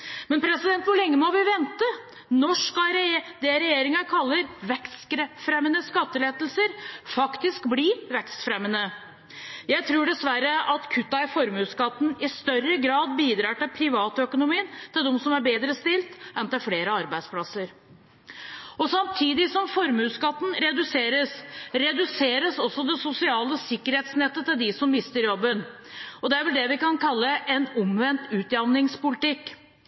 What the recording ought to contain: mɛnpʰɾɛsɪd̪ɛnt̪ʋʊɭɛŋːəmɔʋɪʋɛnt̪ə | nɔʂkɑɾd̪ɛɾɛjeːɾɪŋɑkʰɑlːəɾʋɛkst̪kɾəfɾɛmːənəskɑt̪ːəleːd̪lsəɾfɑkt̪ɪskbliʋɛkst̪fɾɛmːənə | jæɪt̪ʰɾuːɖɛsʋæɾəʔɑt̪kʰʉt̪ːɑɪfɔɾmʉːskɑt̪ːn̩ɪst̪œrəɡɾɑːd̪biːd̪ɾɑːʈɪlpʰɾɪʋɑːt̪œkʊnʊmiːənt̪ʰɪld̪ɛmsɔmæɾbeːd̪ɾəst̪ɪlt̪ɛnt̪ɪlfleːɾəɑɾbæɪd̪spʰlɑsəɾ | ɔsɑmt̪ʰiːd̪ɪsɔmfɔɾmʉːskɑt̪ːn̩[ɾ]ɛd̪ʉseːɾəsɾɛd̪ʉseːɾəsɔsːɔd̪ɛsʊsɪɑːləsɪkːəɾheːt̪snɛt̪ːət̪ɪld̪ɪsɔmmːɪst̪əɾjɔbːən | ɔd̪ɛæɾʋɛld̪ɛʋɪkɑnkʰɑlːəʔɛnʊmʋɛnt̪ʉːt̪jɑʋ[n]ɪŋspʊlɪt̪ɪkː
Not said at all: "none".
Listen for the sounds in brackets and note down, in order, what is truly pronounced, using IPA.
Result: ɾ, n

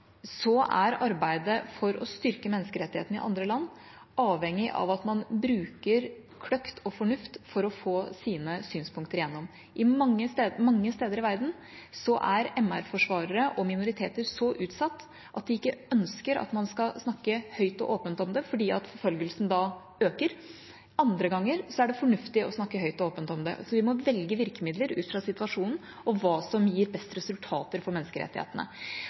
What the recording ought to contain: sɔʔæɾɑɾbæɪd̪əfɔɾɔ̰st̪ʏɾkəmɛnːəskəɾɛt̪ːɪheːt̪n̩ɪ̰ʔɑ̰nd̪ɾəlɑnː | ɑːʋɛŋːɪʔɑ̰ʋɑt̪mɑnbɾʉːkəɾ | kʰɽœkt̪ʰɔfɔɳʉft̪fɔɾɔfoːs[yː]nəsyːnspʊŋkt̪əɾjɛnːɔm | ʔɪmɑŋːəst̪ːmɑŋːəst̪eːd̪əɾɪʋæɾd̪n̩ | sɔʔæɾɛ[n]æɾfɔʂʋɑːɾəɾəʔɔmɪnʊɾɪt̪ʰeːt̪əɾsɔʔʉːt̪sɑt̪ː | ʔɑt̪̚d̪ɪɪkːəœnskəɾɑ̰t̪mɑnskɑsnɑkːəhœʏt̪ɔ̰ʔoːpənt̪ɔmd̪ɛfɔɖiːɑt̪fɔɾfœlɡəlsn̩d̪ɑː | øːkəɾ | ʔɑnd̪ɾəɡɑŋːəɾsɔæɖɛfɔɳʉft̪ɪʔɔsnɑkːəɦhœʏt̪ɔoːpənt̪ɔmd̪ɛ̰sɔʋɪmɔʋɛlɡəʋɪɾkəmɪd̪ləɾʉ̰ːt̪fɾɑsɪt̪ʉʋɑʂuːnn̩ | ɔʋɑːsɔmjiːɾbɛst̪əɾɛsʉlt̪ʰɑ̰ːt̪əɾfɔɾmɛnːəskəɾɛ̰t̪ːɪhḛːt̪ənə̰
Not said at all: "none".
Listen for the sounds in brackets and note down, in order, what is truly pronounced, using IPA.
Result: iː, m

